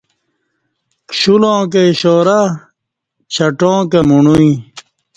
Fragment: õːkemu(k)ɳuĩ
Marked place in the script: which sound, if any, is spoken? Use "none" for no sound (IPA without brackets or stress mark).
none